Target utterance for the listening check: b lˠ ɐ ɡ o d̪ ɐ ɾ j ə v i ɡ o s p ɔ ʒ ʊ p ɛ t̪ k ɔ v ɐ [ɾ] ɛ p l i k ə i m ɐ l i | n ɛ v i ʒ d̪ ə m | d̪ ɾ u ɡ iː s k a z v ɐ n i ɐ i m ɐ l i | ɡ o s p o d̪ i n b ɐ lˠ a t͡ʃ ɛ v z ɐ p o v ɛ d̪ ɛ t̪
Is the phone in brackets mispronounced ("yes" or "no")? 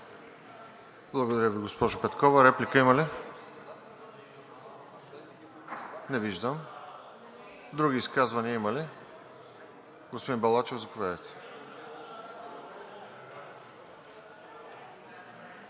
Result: no